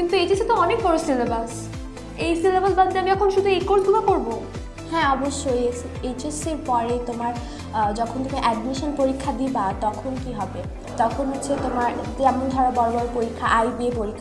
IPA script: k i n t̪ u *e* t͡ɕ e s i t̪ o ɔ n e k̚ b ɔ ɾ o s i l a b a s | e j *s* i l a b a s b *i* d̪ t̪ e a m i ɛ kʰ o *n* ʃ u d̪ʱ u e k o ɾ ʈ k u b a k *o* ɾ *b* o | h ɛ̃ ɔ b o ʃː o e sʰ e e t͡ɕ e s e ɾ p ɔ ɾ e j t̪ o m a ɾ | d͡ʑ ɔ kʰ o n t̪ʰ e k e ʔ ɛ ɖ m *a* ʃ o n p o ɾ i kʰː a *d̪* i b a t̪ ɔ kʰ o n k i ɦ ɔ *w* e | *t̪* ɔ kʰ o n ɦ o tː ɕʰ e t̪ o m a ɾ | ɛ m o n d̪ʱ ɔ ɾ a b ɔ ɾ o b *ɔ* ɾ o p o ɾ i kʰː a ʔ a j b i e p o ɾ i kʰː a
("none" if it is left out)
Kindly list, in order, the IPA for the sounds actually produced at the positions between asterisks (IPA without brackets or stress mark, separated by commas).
e, s, a, n, o, b, i, d̪, b, t̪, ɔ